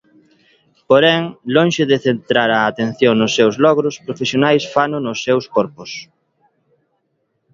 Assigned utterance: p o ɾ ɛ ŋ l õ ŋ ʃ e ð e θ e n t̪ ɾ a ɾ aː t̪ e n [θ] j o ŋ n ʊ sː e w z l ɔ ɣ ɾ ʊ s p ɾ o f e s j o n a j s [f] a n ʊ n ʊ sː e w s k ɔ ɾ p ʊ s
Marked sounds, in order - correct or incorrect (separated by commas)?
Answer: correct, correct